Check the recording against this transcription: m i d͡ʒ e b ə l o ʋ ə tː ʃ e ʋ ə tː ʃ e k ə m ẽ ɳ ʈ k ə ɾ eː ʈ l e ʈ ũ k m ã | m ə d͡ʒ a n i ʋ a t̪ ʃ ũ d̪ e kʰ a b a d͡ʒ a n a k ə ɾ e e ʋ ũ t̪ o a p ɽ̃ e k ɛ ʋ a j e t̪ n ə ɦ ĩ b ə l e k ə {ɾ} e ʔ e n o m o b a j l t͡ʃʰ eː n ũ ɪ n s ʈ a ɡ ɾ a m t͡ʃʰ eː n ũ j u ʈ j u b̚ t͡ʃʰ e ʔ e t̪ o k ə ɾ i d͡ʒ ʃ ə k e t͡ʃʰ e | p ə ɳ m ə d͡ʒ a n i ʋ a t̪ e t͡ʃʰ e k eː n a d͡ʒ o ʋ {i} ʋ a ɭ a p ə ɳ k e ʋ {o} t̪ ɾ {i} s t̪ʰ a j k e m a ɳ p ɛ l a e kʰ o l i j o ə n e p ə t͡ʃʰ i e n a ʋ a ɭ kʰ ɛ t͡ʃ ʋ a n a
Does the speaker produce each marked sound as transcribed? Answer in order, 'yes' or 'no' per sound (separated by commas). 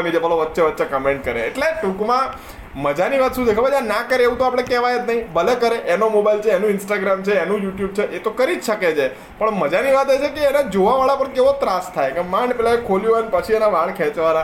yes, no, yes, no